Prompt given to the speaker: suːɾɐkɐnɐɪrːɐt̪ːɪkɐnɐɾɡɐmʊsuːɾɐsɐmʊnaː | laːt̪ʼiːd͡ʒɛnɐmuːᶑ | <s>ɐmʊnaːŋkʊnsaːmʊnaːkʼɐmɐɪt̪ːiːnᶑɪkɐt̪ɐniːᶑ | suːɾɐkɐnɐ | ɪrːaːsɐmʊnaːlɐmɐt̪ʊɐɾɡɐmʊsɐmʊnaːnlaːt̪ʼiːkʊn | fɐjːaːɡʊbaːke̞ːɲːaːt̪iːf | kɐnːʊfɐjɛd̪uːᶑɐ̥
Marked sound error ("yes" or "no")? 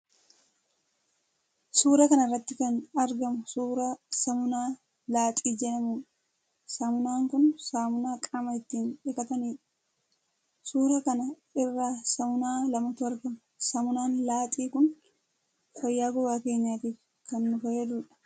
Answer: no